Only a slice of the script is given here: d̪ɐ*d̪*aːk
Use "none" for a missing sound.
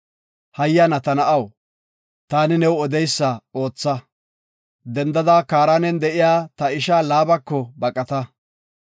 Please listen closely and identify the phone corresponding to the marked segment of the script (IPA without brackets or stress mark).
d̪